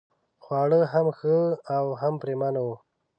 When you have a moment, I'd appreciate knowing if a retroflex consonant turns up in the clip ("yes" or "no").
yes